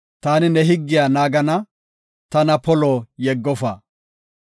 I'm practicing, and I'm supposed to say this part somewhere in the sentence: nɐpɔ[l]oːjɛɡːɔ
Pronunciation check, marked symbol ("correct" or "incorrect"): correct